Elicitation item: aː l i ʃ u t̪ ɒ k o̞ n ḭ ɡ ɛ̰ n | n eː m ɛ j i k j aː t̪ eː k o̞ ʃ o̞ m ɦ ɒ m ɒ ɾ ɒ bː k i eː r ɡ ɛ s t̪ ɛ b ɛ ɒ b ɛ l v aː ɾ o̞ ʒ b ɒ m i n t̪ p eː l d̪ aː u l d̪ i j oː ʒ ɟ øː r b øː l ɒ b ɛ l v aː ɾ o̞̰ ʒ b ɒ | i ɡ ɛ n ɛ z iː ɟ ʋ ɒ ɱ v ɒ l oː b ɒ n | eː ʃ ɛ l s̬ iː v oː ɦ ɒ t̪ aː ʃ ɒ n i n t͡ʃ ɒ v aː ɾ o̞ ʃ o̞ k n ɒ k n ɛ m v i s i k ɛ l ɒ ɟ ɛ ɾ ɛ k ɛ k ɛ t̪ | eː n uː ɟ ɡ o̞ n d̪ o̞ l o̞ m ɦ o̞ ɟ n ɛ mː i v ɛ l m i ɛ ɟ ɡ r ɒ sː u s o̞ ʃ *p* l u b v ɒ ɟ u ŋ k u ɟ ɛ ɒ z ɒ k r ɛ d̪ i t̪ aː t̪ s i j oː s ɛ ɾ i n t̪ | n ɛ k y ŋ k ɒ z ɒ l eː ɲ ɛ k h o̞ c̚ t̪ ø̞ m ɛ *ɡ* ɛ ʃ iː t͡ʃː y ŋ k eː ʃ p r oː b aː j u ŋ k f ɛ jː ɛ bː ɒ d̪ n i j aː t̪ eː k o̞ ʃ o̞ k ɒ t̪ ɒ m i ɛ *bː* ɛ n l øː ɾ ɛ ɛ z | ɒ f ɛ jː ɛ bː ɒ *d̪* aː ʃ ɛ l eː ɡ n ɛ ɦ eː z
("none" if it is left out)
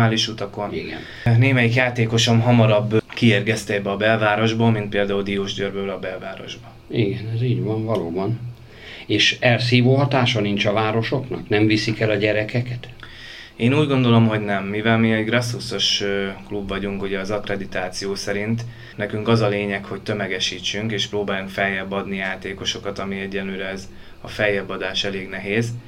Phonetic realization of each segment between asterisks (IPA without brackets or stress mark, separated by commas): k, ɡ, ɟː, d̪